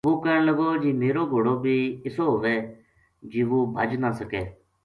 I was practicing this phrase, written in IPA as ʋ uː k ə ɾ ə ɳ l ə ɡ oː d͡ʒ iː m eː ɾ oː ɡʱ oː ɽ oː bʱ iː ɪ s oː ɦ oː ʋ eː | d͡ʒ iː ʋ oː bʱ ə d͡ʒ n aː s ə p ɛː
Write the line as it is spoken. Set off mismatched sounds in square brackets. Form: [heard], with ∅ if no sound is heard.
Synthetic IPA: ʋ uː k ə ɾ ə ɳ l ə ɡ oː d͡ʒ iː m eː ɾ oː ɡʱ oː ɽ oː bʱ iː ɪ s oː ɦ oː ʋ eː | d͡ʒ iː ʋ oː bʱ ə d͡ʒ n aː s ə [k] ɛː

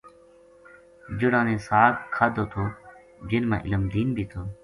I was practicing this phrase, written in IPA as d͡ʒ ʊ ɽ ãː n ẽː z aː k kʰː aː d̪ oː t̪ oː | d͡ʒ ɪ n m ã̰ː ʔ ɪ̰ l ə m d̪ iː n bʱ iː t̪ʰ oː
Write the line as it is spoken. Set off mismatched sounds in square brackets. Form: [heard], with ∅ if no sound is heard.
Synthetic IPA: d͡ʒ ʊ ɽ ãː n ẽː [s] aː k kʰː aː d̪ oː [t̪ʰ] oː | d͡ʒ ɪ n m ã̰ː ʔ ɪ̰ l ə m d̪ iː n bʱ iː t̪ʰ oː

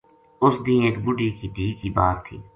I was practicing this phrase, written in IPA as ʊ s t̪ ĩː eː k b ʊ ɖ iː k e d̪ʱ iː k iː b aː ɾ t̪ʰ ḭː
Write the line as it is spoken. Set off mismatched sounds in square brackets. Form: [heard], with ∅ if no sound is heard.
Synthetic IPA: ʊ s [d̪] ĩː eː k b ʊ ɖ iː k [i] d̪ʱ iː k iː b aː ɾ t̪ʰ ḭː

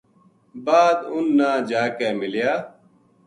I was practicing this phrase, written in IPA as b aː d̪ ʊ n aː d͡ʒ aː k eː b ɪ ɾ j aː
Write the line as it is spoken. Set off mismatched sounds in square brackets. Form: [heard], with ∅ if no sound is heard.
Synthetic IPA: b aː d̪ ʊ [nː] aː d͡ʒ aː k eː [m] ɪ [l] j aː

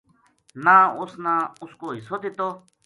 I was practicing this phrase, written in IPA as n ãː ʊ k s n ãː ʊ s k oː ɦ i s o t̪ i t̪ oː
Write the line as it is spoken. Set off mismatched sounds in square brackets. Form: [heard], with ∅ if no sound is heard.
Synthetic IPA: n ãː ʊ [∅] s n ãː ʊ s k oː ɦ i s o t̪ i t̪ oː

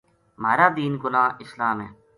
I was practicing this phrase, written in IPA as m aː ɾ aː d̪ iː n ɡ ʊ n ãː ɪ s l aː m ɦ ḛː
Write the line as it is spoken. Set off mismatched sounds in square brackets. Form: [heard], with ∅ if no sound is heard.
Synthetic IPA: m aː ɾ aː d̪ iː n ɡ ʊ n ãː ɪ s l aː m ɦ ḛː

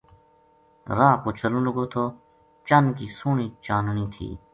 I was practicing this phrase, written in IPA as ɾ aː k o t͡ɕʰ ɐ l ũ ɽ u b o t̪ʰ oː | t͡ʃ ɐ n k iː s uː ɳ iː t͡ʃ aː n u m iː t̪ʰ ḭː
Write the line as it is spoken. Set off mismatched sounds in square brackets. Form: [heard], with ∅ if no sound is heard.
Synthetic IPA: ɾ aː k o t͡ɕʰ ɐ l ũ [l] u [ɡ] o t̪ʰ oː | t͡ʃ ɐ n k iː s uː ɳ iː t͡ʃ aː n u [n] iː t̪ʰ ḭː

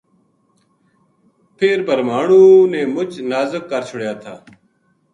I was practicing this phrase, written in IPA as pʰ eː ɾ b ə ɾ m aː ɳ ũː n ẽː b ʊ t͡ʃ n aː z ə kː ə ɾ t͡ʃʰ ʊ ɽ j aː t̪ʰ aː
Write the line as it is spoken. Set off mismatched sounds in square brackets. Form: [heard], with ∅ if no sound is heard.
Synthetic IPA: pʰ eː ɾ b ə ɾ m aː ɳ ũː n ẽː [m] ʊ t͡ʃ n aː z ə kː ə ɾ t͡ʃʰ ʊ ɽ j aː t̪ʰ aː

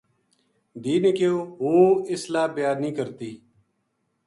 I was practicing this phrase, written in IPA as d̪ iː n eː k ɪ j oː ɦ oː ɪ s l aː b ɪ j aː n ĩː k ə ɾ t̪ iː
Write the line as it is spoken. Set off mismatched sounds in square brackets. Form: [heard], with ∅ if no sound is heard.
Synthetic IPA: d̪ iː n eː k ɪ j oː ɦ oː ɪ s l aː b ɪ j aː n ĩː k ə ɾ t̪ iː

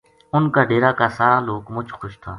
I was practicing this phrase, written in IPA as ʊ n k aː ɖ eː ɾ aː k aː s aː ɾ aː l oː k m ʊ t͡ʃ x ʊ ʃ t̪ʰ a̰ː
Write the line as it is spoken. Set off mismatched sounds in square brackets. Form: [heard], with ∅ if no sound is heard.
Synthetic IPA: ʊ n k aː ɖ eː ɾ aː k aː s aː ɾ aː l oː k m ʊ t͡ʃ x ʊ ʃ t̪ʰ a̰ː

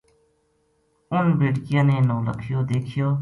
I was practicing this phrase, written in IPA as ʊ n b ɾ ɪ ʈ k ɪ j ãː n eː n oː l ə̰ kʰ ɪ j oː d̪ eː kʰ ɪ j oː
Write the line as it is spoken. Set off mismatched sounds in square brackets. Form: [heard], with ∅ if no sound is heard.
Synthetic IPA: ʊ n b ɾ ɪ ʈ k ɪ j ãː n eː n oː l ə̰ kʰ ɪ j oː d̪ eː kʰ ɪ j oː

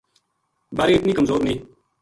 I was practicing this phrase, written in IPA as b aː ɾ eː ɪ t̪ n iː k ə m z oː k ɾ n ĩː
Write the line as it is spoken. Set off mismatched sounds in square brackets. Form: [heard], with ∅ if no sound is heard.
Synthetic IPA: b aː ɾ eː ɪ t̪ n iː k ə m z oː [∅] ɾ n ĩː

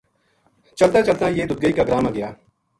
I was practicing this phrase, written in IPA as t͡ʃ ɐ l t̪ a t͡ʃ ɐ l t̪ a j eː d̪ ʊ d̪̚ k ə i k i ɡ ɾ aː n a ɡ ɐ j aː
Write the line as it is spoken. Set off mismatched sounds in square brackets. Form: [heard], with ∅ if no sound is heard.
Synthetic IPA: t͡ʃ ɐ l t̪ a t͡ʃ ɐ l t̪ a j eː d̪ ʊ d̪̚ [ɡ] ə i k [a] ɡ ɾ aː [m] a ɡ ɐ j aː

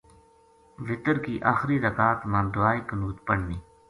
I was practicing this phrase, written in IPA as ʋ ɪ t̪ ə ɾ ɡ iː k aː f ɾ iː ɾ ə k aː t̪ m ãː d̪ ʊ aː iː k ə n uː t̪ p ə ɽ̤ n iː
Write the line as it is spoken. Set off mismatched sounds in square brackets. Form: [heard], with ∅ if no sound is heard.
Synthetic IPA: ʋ ɪ t̪ ə ɾ [k] iː [ʔ] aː [x] ɾ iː ɾ ə k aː t̪ m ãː d̪ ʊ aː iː k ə n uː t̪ p ə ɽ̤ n iː

